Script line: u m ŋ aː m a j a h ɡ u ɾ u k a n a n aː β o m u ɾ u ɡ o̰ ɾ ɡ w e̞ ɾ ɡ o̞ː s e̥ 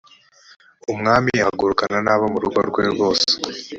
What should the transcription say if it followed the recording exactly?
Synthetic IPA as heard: u m ŋ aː m i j a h ɡ u ɾ u k a n a n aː β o m u ɾ u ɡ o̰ ɾ ɡ w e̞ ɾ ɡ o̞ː s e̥